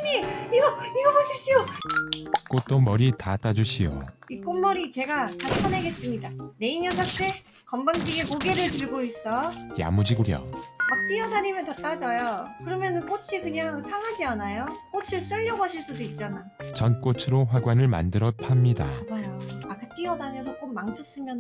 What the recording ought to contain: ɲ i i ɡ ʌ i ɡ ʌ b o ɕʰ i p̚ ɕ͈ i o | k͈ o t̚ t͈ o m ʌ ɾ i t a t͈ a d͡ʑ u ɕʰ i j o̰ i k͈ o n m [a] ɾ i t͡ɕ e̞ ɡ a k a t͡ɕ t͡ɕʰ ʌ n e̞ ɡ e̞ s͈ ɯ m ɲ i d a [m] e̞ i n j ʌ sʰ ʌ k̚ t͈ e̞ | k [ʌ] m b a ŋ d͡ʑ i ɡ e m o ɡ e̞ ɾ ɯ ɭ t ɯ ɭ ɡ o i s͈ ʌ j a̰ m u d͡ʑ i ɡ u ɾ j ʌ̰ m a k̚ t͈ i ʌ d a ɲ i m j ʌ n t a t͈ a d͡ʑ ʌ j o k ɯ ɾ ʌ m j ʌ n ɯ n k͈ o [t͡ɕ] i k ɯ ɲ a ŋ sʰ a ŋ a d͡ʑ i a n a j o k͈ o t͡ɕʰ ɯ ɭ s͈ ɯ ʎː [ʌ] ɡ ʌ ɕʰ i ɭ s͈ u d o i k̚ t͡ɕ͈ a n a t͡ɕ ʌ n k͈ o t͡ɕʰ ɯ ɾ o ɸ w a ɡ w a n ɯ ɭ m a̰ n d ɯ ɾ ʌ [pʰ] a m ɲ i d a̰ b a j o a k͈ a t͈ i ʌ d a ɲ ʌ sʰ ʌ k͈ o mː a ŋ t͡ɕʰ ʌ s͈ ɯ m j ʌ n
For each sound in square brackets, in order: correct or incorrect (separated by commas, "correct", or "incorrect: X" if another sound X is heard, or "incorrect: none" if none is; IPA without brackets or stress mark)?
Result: incorrect: ʌ, incorrect: n, correct, incorrect: t͡ɕʰ, correct, correct